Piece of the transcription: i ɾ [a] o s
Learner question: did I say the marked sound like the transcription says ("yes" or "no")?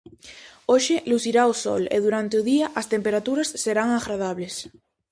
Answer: yes